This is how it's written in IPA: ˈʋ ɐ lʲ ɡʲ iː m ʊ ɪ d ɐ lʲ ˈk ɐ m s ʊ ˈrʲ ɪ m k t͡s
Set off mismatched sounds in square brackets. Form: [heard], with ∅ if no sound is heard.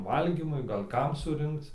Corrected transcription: ˈʋ ɐ lʲ ɡʲ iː m ʊ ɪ [ɡ] ɐ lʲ ˈk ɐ m s ʊ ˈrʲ ɪ [ŋ] k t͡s